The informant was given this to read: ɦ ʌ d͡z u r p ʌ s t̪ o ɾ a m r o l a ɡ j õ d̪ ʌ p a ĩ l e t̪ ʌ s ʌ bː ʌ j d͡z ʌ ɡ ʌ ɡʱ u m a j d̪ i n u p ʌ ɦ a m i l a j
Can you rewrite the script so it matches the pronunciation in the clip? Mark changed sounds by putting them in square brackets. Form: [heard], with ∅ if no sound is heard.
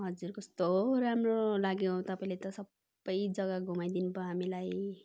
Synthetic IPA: ɦ ʌ d͡z u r [k] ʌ s t̪ o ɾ a m r o l a ɡ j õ [t̪] ʌ p a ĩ l e t̪ ʌ s ʌ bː ʌ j d͡z ʌ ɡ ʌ ɡʱ u m a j d̪ i n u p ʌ ɦ a m i l a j